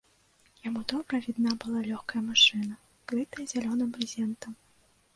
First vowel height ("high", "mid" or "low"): low